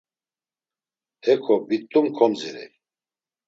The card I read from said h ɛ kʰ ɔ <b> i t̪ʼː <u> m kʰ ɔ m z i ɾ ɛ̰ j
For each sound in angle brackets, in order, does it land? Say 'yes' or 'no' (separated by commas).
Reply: yes, yes